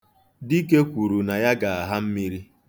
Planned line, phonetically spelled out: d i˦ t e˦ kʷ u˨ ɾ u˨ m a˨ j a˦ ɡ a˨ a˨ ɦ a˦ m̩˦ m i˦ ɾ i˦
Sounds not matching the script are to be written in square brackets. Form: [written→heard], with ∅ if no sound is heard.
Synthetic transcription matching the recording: d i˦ [t→k] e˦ kʷ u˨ ɾ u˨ [m→n] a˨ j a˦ ɡ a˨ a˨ ɦ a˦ m̩˦ m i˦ ɾ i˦

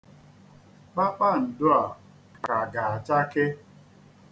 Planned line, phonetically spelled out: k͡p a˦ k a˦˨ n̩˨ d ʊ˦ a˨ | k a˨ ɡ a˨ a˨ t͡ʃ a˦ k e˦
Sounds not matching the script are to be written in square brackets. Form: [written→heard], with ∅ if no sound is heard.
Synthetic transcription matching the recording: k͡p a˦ [k→k͡p] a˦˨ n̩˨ d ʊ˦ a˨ | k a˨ ɡ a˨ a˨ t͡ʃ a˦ k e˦

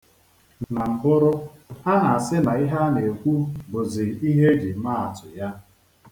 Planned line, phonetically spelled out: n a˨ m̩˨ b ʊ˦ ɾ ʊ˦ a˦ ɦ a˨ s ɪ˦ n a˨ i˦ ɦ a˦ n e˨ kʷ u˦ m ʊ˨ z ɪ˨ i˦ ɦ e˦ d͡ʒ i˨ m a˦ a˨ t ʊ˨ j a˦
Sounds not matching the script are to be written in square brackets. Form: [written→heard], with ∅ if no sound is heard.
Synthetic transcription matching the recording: n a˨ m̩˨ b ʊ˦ ɾ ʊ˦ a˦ ɦ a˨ s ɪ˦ n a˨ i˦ ɦ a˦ n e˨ kʷ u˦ [m→b] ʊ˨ z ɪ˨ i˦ ɦ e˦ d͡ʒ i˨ m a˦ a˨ t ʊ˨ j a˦

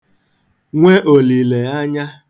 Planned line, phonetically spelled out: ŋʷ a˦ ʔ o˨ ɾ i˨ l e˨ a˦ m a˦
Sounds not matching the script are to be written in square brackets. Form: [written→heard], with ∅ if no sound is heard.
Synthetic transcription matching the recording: ŋʷ [a˦→e˦] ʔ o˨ [ɾ→l] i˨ l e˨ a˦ [m→ɲ] a˦

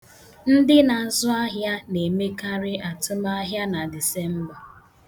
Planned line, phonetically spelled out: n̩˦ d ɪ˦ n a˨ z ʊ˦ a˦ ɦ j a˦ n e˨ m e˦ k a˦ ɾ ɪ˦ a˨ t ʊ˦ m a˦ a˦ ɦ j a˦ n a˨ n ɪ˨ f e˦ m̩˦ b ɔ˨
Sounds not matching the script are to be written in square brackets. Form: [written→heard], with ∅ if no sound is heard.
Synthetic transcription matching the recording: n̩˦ d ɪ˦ n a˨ z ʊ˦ a˦ ɦ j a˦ n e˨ m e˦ k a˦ ɾ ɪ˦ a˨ t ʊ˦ m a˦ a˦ ɦ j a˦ n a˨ [n→d] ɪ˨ [f→s] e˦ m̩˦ b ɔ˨

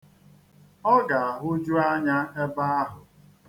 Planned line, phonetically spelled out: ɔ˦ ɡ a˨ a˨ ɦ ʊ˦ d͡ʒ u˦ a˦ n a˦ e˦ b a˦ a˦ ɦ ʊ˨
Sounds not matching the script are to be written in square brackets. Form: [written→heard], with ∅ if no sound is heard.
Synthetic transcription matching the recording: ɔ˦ ɡ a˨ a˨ ɦ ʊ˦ d͡ʒ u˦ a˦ [n→ɲ] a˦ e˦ b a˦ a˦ ɦ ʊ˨

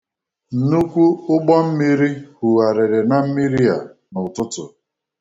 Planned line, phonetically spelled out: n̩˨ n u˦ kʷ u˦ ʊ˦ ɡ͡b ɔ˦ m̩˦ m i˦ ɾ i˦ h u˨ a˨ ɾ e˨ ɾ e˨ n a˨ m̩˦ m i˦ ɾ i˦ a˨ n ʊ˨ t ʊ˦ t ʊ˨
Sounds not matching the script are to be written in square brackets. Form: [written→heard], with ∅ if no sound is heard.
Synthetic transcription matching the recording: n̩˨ n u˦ kʷ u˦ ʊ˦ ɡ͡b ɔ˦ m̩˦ m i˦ ɾ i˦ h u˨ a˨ ɾ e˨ ɾ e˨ n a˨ m̩˦ m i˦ ɾ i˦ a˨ n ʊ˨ t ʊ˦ t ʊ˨

